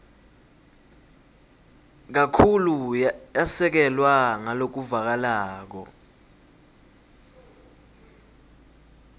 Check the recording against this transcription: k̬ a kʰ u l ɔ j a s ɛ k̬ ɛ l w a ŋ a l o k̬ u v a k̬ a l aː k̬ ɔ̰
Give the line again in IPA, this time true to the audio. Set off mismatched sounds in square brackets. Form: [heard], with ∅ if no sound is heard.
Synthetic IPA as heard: k̬ a kʰ u l [u] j a s ɛ k̬ ɛ l w a ŋ a l o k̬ u v a k̬ a l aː k̬ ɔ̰